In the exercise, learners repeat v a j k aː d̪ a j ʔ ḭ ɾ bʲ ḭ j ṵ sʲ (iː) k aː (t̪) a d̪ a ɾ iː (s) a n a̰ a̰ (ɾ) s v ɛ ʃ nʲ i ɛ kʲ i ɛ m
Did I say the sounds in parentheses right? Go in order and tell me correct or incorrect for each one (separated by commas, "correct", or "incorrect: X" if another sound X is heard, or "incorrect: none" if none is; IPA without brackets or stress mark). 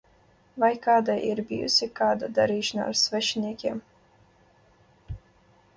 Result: incorrect: i, incorrect: d̪, incorrect: ʃ, correct